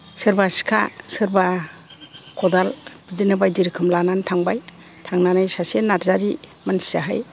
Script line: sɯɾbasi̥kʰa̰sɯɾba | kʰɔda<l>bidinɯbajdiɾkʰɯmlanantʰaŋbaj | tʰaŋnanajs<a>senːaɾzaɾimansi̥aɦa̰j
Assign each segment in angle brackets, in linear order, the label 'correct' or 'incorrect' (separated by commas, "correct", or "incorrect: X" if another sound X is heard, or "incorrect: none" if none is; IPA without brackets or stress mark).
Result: correct, correct